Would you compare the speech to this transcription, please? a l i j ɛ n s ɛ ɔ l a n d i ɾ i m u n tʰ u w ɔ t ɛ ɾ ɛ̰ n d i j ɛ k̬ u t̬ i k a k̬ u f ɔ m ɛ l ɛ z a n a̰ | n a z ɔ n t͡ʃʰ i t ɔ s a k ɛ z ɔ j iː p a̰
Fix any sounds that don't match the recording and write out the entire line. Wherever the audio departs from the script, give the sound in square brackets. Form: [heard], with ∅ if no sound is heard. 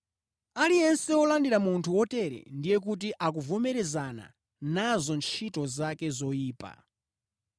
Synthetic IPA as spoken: a l i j ɛ n s ɛ ɔ l a n d i ɾ [a] m u n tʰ u w ɔ t ɛ ɾ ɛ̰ n d i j ɛ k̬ u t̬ i [ʔ] a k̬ u [v] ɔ m ɛ [ɾ] ɛ z a n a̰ | n a z ɔ n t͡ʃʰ i t ɔ [z] a k ɛ z ɔ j iː p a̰

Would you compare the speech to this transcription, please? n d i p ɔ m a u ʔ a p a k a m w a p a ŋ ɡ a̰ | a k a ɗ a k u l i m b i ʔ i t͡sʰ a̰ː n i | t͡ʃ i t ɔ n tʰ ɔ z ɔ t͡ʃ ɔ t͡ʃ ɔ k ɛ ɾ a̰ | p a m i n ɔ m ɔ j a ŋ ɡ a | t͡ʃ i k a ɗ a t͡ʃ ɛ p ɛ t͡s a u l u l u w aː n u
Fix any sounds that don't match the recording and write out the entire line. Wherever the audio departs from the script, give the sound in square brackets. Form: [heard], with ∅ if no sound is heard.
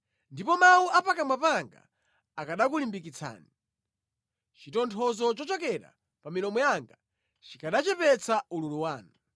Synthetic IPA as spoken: n d i p ɔ m a u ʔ a p a k a m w a p a ŋ ɡ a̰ | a k a ɗ a k u l i m b i [k] i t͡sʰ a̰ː n i | t͡ʃ i t ɔ n tʰ ɔ z ɔ t͡ʃ ɔ t͡ʃ ɔ k ɛ ɾ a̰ | p a m i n ɔ m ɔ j a ŋ ɡ a | t͡ʃ i k a ɗ a t͡ʃ ɛ p ɛ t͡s a u l u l u w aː n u

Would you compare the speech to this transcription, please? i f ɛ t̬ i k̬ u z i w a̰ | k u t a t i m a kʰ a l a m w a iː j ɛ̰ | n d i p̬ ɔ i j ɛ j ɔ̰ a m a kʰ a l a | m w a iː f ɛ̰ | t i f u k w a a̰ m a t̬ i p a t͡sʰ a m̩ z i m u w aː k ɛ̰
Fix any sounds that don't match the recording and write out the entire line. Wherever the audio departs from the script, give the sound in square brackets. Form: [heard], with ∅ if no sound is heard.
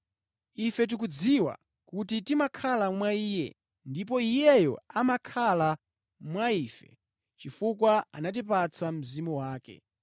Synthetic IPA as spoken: i f ɛ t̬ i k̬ u [d͡z] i w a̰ | k u t [i] t i m a kʰ a l a m w a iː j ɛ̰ | n d i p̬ ɔ i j ɛ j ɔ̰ a m a kʰ a l a | m w a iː f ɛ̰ | [t͡ʃ] i f u k w a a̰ [n] a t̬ i p a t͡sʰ a m̩ z i m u w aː k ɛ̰

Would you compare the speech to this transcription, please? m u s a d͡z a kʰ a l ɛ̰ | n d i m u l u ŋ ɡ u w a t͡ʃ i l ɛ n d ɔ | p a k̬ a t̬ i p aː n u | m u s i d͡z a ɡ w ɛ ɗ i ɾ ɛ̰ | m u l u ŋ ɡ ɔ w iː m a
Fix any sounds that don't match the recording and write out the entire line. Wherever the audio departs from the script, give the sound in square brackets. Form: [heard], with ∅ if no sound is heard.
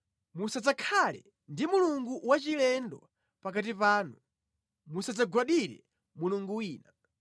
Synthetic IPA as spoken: m u s a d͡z a kʰ a l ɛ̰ | n d i m u l u ŋ ɡ u w a t͡ʃ i l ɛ n d ɔ | p a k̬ a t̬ i p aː n u | m u s [a] d͡z a ɡ w [a] ɗ i ɾ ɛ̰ | m u l u ŋ ɡ [u] w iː [n] a

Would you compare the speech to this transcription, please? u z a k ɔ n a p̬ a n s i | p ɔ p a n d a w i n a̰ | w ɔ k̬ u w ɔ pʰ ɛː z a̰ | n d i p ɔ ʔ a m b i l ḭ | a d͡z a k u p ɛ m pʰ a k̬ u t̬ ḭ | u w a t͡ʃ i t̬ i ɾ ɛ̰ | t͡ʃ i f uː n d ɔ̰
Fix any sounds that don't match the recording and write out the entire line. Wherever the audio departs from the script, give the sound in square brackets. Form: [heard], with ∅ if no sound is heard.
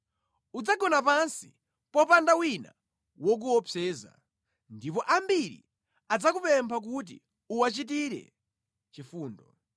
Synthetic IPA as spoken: u [d͡z] a [ɡ] ɔ n a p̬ a n s i | p ɔ p a n d a w i n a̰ | w ɔ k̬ u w ɔ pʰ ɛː z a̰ | n d i p ɔ ʔ a m b i [ɾ] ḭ | a d͡z a k u p ɛ m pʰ a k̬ u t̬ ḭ | u w a t͡ʃ i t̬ i ɾ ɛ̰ | t͡ʃ i f uː n d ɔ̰

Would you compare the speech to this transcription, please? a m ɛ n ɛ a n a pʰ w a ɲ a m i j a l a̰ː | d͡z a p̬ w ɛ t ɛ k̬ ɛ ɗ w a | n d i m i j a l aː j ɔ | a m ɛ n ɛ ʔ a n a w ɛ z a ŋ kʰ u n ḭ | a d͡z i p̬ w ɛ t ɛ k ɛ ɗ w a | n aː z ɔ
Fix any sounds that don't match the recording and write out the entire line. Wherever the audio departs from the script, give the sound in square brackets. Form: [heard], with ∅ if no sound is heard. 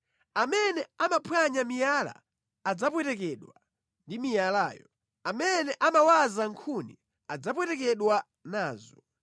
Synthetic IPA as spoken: a m ɛ n ɛ a [m] a pʰ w a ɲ a m i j a l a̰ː | d͡z a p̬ w ɛ t ɛ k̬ ɛ ɗ w a | n d i m i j a l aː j ɔ | a m ɛ n ɛ ʔ a [m] a w [a] z a ŋ kʰ u n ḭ | a d͡z [a] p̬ w ɛ t ɛ k ɛ ɗ w a | n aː z ɔ

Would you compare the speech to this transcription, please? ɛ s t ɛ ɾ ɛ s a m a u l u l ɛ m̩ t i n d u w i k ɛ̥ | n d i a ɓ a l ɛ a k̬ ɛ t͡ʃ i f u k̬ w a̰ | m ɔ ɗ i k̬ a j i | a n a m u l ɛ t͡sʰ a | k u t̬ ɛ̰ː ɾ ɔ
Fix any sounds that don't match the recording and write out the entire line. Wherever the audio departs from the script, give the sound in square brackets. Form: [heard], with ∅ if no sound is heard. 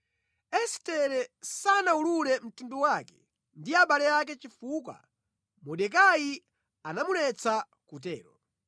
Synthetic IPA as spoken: ɛ s t ɛ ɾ ɛ s a [n] a u l u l ɛ m̩ t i n d u w [a] k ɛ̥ | n d i a ɓ a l ɛ a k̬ ɛ t͡ʃ i f u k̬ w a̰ | m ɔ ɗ [ɛ] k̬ a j i | a n a m u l ɛ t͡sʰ a | k u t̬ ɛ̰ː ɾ ɔ

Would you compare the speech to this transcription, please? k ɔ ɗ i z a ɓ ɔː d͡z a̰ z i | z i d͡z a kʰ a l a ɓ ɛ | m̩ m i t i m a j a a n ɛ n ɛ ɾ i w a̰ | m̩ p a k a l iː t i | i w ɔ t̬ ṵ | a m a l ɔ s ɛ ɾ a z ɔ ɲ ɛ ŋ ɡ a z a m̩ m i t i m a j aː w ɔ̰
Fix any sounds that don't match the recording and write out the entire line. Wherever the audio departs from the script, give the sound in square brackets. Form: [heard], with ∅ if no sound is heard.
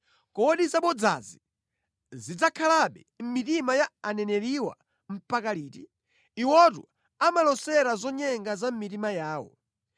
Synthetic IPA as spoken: k ɔ ɗ i z a ɓ [ɔ] d͡z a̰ z i | z i d͡z a kʰ a l a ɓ ɛ | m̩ m i t i m a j a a n ɛ n ɛ ɾ i w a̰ | m̩ p a k a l iː t i | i w ɔ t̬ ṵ | a m a l ɔ s ɛ ɾ a z ɔ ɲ ɛ ŋ ɡ a z a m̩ m i t i m a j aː w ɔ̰

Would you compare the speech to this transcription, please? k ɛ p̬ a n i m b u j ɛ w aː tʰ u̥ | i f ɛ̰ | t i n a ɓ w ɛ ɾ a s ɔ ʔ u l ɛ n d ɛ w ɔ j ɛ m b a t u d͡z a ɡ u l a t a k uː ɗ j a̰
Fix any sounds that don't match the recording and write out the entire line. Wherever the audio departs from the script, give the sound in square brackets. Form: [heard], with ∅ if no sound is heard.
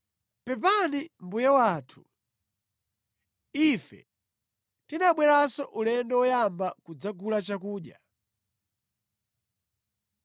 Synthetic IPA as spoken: [p] ɛ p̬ a n i m b u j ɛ w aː tʰ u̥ | i f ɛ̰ | t i n a ɓ w ɛ ɾ a s ɔ ʔ u l ɛ n d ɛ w ɔ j [a] m b a [k] u d͡z a ɡ u l a [t͡ʃ] a k uː ɗ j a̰

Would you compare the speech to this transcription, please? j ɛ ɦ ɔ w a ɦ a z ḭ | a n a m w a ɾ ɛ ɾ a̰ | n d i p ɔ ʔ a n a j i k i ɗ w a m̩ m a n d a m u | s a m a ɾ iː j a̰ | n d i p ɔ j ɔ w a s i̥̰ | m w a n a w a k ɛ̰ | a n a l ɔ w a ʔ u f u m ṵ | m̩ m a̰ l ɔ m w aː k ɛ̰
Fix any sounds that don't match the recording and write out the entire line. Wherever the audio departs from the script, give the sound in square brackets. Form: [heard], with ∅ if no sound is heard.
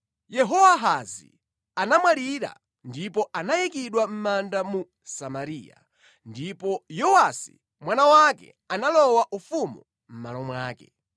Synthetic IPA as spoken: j ɛ ɦ ɔ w a ɦ a z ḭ | a n a m w a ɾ [i] ɾ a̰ | n d i p ɔ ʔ a n a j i k i ɗ w a m̩ m a n d a m u | s a m a ɾ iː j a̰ | n d i p ɔ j ɔ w a s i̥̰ | m w a n a w a k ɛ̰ | a n a l ɔ w a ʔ u f u m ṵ | m̩ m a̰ l ɔ m w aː k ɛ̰

